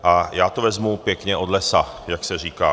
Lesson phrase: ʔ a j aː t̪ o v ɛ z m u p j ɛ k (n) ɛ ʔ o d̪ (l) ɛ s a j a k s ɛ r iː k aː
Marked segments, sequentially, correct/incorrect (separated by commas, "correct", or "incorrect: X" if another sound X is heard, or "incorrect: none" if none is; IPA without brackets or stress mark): incorrect: ɲ, correct